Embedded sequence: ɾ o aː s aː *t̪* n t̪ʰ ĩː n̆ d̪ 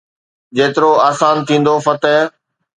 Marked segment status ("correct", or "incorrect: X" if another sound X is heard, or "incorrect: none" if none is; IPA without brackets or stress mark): incorrect: none